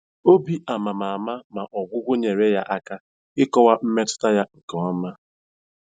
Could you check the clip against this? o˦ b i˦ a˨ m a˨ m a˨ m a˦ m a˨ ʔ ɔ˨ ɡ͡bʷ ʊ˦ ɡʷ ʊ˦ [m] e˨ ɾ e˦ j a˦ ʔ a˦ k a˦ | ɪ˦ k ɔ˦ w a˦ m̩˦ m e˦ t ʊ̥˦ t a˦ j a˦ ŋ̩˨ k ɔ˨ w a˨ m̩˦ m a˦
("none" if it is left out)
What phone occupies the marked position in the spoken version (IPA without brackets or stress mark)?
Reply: ɲ